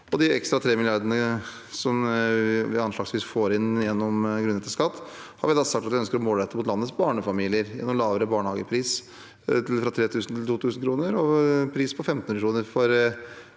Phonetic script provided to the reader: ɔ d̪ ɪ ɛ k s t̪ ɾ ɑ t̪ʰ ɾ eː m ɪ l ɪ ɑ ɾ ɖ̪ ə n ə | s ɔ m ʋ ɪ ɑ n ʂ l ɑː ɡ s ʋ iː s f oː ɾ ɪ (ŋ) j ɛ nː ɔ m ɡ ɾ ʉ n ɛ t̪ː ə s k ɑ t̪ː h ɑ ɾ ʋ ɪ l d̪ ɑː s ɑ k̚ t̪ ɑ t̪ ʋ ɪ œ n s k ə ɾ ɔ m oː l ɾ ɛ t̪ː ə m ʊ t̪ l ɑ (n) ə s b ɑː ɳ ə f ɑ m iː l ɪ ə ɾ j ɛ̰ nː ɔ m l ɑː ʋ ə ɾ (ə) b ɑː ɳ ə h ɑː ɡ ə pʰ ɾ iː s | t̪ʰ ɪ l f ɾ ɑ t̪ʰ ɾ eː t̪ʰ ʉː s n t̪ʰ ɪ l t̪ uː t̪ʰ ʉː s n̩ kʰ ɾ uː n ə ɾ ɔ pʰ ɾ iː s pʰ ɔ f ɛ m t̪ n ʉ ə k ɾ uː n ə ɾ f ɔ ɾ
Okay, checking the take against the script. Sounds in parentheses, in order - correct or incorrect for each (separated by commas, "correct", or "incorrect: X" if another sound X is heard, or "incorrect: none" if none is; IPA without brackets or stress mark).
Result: incorrect: n, incorrect: nː, correct